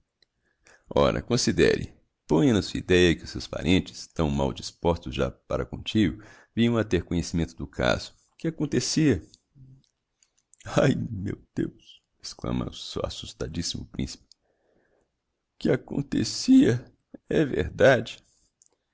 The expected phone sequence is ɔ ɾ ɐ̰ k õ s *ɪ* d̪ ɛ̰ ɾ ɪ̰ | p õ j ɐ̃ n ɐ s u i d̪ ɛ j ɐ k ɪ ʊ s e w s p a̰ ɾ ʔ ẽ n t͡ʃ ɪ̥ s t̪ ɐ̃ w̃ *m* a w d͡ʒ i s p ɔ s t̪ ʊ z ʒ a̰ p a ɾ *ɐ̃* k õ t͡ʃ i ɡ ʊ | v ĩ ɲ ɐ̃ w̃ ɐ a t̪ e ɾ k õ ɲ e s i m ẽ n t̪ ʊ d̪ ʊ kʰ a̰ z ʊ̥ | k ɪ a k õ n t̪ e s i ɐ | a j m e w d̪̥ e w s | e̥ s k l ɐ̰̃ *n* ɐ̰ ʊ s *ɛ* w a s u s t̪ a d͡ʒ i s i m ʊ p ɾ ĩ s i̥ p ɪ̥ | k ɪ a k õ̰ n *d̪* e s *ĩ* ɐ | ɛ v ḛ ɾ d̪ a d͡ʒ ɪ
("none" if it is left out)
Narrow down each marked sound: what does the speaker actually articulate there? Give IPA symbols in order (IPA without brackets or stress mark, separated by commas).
i, m, ɐ, m, e, t̪, i